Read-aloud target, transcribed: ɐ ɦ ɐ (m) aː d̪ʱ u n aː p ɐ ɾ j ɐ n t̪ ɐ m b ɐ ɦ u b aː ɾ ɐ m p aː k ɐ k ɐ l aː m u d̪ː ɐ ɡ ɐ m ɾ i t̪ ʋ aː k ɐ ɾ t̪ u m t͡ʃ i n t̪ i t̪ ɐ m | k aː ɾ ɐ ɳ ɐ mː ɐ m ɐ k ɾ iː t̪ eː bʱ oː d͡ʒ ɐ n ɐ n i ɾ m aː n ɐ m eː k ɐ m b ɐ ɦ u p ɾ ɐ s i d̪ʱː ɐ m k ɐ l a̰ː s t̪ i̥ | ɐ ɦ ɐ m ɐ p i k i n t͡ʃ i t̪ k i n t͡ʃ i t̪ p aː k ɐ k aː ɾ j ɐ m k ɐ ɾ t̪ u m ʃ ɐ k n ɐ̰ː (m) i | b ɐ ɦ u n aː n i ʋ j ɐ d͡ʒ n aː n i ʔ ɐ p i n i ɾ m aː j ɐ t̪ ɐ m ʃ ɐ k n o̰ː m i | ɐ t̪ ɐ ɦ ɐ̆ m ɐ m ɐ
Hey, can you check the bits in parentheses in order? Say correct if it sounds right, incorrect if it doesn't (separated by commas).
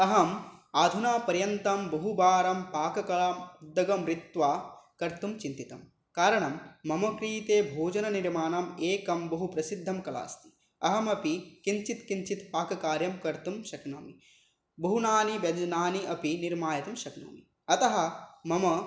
correct, correct